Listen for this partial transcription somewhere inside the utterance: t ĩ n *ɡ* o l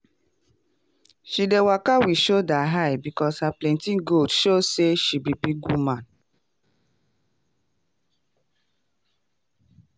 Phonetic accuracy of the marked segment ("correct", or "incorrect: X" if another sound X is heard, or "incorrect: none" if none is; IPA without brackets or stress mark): correct